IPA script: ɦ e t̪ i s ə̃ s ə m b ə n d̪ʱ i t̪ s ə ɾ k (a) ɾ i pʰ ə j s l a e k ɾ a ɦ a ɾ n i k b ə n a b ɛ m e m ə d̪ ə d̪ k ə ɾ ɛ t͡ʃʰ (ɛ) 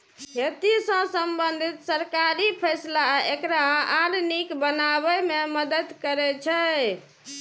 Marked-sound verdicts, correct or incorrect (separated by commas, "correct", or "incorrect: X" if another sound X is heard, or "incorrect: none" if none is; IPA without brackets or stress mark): correct, correct